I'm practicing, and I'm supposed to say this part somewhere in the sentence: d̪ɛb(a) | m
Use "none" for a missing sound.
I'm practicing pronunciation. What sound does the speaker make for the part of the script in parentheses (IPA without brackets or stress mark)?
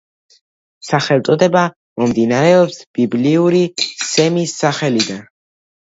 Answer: a